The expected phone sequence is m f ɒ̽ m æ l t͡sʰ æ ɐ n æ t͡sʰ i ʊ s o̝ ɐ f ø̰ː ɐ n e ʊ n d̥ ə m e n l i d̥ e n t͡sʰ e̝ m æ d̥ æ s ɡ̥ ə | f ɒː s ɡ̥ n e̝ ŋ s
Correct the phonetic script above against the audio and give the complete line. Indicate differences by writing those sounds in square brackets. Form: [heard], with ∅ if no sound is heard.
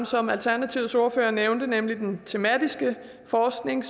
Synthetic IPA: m [s] ɒ̽ m æ l t͡sʰ æ ɐ n æ t͡sʰ i ʊ s o̝ ɐ f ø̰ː ɐ n e ʊ n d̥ ə [n] e [m] l i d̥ e n t͡sʰ e̝ m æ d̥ [i] s ɡ̥ ə | f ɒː s ɡ̥ n e̝ ŋ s